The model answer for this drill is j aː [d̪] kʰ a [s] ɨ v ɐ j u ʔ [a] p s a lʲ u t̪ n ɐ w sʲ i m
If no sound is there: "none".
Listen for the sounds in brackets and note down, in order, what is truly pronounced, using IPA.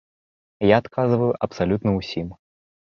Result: t̪, z, ɐ

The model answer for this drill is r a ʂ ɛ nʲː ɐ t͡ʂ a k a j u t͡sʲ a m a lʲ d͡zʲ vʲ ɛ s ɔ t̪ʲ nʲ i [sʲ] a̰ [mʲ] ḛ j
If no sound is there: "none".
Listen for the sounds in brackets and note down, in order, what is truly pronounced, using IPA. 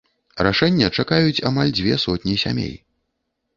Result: sʲ, mʲ

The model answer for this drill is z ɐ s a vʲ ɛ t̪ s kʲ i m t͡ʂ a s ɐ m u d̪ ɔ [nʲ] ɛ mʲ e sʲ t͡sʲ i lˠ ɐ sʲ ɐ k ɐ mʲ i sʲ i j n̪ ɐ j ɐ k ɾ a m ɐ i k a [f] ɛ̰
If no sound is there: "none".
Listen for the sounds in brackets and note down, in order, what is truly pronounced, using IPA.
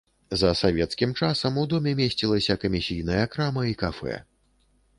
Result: mʲ, f

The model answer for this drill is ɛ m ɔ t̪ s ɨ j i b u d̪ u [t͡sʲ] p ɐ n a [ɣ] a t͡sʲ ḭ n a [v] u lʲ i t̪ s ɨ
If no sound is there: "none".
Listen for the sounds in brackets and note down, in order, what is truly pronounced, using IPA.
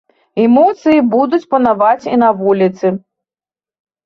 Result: t͡sʲ, v, v

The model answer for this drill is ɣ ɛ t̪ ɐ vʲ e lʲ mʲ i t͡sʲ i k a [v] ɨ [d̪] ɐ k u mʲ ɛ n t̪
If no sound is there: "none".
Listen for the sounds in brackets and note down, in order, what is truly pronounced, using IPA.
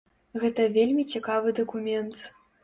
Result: v, d̪

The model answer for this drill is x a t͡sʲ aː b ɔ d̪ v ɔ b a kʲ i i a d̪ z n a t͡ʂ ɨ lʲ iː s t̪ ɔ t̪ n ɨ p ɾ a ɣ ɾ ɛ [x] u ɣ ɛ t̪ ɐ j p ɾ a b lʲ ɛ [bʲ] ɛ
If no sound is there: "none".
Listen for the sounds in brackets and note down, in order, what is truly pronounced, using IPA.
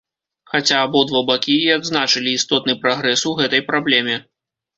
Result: s, mʲ

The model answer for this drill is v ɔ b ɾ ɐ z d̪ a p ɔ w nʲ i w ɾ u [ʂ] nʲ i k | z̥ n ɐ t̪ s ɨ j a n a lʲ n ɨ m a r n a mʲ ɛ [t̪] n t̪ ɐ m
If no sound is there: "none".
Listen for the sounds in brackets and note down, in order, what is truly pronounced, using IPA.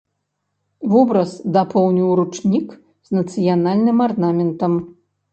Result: t͡ʂ, none

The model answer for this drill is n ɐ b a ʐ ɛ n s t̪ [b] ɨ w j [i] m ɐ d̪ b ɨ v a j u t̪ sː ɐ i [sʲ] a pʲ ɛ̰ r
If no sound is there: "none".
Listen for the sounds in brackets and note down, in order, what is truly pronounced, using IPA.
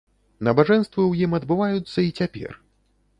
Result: v, i, t͡sʲ

